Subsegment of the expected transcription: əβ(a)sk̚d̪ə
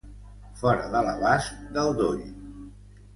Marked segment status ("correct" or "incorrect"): correct